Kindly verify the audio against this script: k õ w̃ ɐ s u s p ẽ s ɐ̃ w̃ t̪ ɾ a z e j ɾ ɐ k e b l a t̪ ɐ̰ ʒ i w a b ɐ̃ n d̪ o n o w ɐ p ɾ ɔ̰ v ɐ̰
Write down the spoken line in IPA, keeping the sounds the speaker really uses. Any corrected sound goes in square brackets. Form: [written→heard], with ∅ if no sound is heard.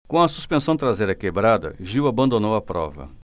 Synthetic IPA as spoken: k õ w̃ ɐ s u s p ẽ s ɐ̃ w̃ t̪ ɾ a z e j ɾ ɐ k e b [l→ɾ] a [t̪→d̪] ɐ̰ ʒ i w a b ɐ̃ n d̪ o n o w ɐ p ɾ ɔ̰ v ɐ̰